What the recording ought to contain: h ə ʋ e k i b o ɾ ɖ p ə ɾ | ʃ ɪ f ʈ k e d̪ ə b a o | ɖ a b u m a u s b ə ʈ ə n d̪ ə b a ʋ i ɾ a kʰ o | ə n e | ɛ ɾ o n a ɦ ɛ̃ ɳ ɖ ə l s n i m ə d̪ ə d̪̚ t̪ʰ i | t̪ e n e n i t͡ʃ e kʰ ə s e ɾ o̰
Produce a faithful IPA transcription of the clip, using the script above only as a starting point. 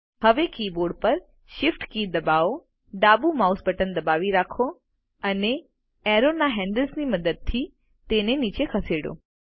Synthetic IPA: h ə ʋ e k i b o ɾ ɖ p ə ɾ | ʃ ɪ f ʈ k i d̪ ə b a o | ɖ a b u m a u s b ə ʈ ə n d̪ ə b a ʋ i ɾ a kʰ o | ə n e | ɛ ɾ o n a ɦ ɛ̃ ɳ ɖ ə l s n i m ə d̪ ə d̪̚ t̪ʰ i | t̪ e n e n i t͡ʃ e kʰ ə s e ɽ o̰